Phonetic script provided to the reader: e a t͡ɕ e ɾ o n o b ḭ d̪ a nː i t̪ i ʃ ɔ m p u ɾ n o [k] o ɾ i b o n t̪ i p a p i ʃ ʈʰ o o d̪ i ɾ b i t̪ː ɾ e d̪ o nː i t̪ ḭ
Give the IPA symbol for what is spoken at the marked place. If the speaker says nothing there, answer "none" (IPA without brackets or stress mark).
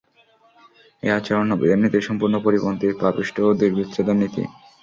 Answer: p